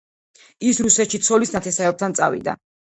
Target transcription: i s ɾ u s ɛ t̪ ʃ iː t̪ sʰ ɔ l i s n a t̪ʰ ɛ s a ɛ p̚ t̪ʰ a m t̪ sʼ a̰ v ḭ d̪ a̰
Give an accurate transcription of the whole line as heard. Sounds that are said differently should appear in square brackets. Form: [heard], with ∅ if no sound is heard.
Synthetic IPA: i s ɾ u s ɛ t̪ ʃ [i] t̪ sʰ ɔ l i s n a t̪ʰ ɛ s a ɛ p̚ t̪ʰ a [n] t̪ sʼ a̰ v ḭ d̪ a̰

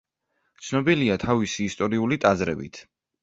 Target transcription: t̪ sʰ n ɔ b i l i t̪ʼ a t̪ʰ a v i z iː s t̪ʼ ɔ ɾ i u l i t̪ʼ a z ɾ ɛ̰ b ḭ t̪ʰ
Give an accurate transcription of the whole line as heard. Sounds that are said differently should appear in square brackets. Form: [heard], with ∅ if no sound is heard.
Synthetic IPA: t̪ sʰ n ɔ b i l i [∅] a t̪ʰ a v i [s] iː s t̪ʼ ɔ ɾ i u l i t̪ʼ a z ɾ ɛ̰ b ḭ t̪ʰ

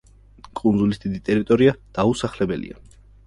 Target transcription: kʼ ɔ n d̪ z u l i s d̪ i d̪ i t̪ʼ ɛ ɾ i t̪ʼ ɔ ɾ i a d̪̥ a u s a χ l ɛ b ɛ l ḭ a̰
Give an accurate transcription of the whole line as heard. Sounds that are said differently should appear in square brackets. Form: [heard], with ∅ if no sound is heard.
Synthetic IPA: kʼ [u] n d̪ z u l i s d̪ i d̪ i t̪ʼ ɛ ɾ i t̪ʼ ɔ ɾ i a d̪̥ a u s a χ l ɛ b ɛ l ḭ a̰

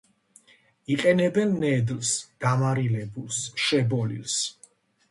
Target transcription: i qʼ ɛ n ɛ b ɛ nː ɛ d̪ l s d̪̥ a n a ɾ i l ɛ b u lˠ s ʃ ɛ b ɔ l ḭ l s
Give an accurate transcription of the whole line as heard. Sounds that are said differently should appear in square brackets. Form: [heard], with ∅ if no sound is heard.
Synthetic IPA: i qʼ ɛ n ɛ b ɛ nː ɛ d̪ l s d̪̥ a [m] a ɾ i l ɛ b u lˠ s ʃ ɛ b ɔ l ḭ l s

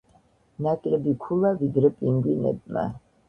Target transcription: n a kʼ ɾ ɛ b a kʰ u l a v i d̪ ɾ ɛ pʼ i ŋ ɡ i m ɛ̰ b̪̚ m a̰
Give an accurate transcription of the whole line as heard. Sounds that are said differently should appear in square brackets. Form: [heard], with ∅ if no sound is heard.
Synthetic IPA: n a kʼ [l] ɛ b [i] kʰ u l a v i d̪ ɾ ɛ pʼ i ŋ ɡ i [n] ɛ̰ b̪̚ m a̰

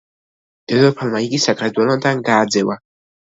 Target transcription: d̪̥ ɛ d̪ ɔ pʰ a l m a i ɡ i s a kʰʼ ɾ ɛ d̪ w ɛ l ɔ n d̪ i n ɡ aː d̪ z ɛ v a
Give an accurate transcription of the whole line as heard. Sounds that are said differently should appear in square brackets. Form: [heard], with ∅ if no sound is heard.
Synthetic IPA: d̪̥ ɛ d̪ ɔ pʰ a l m a i ɡ i s a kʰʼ ɾ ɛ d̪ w ɛ l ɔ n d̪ [a] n ɡ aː d̪ z ɛ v a

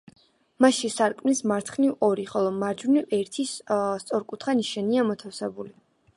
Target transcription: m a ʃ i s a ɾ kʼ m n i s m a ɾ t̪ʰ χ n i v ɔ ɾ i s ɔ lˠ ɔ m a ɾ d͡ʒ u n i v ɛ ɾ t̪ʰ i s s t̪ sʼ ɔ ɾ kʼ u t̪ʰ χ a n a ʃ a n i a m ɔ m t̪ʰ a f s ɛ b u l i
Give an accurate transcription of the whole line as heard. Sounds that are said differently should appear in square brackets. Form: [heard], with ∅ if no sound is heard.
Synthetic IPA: m a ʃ i s a ɾ kʼ m n i s m a ɾ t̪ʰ χ n i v ɔ ɾ i [χ] ɔ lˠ ɔ m a ɾ d͡ʒ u n i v ɛ ɾ t̪ʰ i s s t̪ sʼ ɔ ɾ kʼ u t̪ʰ χ a n [i] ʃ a n i a m ɔ [∅] t̪ʰ a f s ɛ b u l i

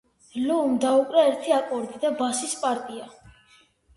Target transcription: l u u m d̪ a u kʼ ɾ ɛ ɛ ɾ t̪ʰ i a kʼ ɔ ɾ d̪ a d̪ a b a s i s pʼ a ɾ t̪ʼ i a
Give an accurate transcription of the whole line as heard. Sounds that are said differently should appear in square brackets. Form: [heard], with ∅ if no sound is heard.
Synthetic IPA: l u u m d̪ a u kʼ ɾ ɛ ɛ ɾ t̪ʰ i a kʼ ɔ ɾ d̪ [i] d̪ a b a s i s pʼ a ɾ t̪ʼ i a

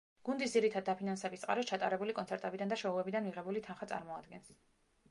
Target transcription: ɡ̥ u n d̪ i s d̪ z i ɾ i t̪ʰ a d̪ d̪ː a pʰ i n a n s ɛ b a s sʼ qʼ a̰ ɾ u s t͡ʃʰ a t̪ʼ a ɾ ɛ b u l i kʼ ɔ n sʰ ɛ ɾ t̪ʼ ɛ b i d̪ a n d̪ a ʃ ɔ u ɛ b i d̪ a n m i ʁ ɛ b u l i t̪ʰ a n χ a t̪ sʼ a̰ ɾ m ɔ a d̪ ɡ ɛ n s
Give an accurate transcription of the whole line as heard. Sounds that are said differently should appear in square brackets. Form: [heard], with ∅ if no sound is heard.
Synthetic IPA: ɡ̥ u n d̪ i s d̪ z i ɾ i t̪ʰ a d̪ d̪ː a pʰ i n a n s ɛ b [i] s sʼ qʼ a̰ ɾ [ɔ] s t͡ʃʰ a t̪ʼ a ɾ ɛ b u l i kʼ ɔ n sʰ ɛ ɾ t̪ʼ ɛ b i d̪ a n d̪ a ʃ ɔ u ɛ b i d̪ a n m i ʁ ɛ b u l i t̪ʰ a n χ a t̪ sʼ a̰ ɾ m ɔ a d̪ ɡ ɛ n s

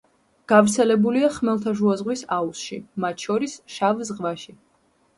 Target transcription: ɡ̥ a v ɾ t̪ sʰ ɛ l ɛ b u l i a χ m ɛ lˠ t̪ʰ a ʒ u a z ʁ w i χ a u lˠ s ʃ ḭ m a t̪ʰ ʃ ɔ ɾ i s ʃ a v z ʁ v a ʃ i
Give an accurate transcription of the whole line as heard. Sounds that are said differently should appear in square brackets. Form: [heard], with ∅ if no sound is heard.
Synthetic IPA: ɡ̥ a v ɾ t̪ sʰ ɛ l ɛ b u l i a χ m ɛ lˠ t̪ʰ a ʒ u a z ʁ w i [s] a u [∅] s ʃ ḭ m a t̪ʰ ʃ ɔ ɾ i s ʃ a v z ʁ v a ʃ i

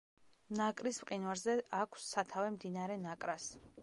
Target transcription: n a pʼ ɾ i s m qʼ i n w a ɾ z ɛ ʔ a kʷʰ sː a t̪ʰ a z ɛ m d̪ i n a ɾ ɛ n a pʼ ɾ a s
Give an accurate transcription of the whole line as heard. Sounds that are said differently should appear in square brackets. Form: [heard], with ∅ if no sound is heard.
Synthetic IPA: n a [kʼ] ɾ i s m qʼ i n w a ɾ z ɛ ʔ a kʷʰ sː a t̪ʰ a [v] ɛ m d̪ i n a ɾ ɛ n a [kʼ] ɾ a s

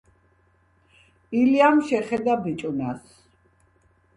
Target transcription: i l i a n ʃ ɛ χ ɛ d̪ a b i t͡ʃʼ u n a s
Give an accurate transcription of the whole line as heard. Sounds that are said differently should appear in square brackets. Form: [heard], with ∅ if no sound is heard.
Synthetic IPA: i l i a [m] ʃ ɛ χ ɛ d̪ a b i t͡ʃʼ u n a s

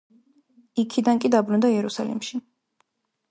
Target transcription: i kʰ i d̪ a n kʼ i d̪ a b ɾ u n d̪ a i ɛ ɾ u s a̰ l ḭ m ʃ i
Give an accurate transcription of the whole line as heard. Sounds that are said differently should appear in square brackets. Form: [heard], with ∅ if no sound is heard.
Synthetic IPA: i kʰ i d̪ a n kʼ i d̪ a b ɾ u n d̪ a i ɛ ɾ u s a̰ l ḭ m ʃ i

